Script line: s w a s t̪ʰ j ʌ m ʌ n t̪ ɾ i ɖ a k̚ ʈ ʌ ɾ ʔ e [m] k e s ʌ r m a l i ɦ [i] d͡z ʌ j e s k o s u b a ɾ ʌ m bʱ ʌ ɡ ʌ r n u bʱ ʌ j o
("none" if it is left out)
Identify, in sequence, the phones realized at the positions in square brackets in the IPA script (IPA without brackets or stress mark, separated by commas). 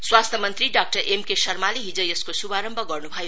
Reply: m, i